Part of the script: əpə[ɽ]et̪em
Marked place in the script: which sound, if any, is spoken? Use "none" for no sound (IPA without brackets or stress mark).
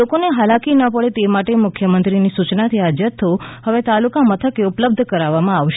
ɭ